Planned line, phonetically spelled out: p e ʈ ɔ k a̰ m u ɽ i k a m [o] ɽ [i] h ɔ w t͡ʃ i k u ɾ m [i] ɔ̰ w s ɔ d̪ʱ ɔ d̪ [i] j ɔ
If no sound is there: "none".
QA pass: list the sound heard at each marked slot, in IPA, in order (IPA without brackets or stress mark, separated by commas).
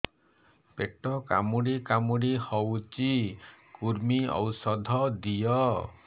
u, i, i, i